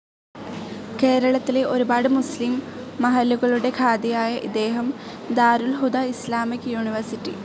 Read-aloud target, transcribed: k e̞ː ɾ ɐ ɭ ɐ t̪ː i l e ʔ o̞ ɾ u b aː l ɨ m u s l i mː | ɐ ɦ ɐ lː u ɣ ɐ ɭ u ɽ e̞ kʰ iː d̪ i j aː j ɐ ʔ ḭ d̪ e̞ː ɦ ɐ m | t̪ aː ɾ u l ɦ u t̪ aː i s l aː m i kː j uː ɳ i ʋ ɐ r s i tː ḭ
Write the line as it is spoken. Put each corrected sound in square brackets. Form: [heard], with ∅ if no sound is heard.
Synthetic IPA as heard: k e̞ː ɾ ɐ ɭ ɐ t̪ː i l e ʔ o̞ ɾ u b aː [ɽ] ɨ m u s l i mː | ɐ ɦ ɐ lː u ɣ ɐ ɭ u ɽ e̞ kʰ [aː] d̪ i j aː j ɐ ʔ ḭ d̪ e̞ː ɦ ɐ m | [d̪] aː ɾ u l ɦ u [d̪] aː i s l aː m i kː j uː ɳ i ʋ ɐ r s i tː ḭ